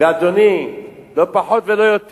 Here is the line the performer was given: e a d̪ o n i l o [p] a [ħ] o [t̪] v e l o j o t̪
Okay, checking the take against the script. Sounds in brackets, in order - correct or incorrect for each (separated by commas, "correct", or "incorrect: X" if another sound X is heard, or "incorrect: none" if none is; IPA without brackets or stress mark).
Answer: correct, correct, correct